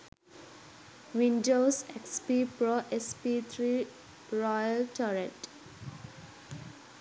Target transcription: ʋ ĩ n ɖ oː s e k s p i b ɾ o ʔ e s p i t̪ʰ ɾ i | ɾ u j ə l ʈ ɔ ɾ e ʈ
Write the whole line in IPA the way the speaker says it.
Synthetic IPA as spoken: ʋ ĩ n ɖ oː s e k s p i p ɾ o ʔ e s p i t̪ʰ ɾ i | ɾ ɔ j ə l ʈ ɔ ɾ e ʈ